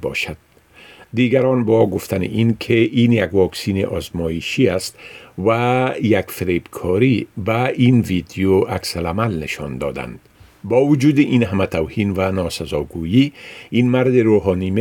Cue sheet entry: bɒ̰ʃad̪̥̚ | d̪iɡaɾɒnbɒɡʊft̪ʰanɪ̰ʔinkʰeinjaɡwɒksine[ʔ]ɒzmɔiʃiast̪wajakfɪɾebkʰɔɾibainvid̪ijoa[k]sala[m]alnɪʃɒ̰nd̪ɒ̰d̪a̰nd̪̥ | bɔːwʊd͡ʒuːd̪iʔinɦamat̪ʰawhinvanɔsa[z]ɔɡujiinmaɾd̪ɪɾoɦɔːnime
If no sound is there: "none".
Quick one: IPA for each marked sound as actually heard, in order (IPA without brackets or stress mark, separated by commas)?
ʔ, k, m, z